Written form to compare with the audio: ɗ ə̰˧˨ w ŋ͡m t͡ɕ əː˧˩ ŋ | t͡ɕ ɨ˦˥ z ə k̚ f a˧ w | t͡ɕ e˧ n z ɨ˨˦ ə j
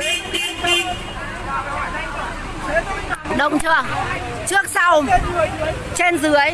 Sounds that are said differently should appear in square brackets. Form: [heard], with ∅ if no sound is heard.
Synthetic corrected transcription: ɗ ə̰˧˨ w ŋ͡m t͡ɕ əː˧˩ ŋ | t͡ɕ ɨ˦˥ [∅] ə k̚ [s] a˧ w | t͡ɕ e˧ n z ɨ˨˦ ə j